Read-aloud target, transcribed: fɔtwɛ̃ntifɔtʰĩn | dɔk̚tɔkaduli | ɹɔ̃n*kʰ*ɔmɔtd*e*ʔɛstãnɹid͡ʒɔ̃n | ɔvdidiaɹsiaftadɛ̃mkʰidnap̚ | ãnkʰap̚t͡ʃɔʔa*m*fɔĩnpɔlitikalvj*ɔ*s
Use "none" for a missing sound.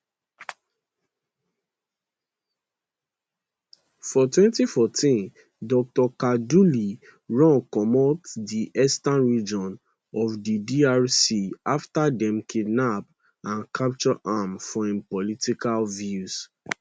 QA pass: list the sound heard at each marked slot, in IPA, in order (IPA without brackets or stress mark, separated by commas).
k, i, m, u